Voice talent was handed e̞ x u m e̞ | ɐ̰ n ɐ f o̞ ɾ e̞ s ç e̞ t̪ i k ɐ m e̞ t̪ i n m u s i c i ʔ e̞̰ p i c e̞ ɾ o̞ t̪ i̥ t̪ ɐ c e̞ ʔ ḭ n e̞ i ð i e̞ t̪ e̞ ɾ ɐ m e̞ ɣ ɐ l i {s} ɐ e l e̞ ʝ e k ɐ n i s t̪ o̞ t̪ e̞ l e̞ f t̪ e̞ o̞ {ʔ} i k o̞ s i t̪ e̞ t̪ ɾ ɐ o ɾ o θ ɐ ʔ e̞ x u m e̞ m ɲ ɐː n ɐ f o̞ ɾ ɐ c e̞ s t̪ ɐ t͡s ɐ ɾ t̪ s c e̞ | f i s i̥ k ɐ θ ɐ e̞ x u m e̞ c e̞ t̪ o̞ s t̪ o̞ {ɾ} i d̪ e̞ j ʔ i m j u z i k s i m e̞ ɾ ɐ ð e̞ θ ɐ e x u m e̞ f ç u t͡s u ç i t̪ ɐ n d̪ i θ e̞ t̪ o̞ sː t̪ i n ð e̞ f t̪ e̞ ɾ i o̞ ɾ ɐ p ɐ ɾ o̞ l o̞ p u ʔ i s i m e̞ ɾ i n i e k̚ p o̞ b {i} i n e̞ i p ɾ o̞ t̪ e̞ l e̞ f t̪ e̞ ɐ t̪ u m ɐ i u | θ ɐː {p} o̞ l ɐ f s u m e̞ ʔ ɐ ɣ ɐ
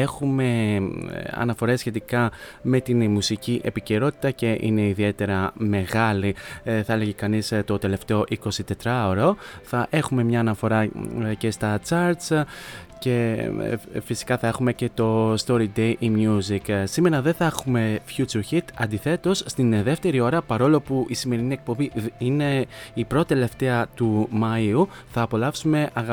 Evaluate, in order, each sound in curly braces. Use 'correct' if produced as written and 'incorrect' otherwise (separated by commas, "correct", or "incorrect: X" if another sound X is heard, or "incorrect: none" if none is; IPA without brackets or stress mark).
incorrect: θ, correct, correct, correct, correct